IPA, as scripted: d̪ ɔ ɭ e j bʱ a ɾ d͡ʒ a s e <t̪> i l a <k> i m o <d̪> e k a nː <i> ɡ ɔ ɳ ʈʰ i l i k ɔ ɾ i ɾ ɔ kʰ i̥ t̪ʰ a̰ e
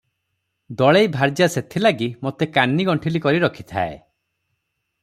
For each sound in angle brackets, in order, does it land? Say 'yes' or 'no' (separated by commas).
no, no, no, yes